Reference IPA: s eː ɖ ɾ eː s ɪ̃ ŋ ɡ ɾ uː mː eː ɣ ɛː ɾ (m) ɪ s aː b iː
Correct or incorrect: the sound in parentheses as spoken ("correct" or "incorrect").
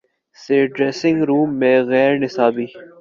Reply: incorrect